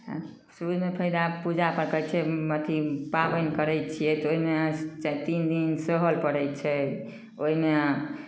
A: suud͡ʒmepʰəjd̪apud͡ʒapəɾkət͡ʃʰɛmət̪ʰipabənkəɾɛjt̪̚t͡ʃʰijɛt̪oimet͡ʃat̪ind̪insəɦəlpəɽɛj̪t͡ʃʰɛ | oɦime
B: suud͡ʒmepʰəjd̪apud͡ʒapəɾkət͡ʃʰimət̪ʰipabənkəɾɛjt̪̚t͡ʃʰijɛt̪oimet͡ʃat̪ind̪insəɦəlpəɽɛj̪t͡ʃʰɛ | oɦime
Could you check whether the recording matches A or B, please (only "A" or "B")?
A